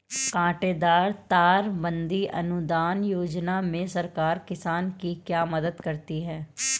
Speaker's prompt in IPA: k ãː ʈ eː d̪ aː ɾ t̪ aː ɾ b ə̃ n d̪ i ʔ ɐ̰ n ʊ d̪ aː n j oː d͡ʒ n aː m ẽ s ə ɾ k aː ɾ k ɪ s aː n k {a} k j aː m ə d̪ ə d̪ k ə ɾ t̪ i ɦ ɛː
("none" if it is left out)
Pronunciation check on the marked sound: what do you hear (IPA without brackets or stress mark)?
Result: i